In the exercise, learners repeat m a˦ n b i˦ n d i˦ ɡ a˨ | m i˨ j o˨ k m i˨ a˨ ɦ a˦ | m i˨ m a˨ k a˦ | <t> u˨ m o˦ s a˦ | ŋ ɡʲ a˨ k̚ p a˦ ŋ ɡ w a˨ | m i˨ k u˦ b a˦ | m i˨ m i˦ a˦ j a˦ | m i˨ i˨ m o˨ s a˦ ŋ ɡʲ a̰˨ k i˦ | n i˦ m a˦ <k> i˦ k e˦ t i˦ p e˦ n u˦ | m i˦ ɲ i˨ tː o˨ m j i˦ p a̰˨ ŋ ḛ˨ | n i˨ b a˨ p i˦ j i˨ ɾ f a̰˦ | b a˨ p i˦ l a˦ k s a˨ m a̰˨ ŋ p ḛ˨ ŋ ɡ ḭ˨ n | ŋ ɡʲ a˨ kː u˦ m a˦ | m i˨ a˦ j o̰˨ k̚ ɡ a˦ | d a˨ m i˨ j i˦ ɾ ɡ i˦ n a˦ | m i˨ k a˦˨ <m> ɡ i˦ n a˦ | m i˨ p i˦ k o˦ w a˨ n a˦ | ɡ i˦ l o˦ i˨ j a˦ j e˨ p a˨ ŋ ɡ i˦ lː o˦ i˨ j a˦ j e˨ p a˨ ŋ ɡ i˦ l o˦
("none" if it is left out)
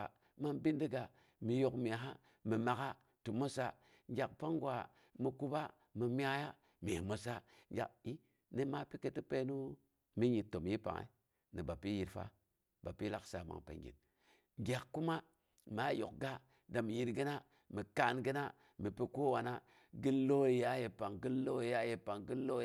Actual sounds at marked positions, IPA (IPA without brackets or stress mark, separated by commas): t, p, n